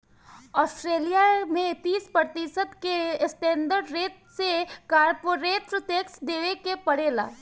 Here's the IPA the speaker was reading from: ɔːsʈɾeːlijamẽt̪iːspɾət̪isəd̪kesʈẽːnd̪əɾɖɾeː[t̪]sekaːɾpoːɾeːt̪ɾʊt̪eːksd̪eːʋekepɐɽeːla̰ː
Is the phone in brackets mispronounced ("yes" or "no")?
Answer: no